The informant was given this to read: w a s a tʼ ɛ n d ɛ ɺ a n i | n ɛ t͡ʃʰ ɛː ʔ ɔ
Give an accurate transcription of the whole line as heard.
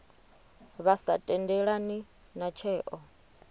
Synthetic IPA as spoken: β a s a tʼ ɛ n d ɛ ɺ a n i | n a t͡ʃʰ ɛː ʔ ɔ